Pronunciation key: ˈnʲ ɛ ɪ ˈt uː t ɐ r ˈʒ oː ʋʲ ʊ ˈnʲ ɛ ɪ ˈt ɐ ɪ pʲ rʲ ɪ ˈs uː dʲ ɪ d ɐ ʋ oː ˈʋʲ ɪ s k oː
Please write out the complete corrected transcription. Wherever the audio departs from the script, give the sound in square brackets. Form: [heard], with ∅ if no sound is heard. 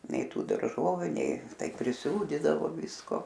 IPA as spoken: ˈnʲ ɛ ɪ ˈt uː [d] ɐ r ˈʒ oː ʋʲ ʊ ˈnʲ ɛ ɪ ˈt ɐ ɪ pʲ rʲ ɪ ˈs uː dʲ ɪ d ɐ ʋ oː ˈʋʲ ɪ s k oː